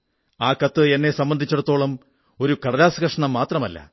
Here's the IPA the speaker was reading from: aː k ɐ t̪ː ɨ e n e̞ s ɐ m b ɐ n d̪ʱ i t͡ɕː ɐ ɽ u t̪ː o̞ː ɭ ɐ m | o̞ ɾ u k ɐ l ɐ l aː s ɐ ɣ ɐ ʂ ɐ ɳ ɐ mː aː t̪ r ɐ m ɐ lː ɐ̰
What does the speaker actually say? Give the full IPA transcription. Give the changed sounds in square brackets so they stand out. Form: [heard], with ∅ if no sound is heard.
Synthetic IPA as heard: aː k ɐ t̪ː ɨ e [nː] e̞ s ɐ m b ɐ n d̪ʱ i t͡ɕː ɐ ɽ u t̪ː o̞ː ɭ ɐ m | o̞ ɾ u k ɐ [ɽ] ɐ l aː s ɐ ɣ ɐ ʂ ɐ ɳ ɐ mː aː t̪ r ɐ m ɐ lː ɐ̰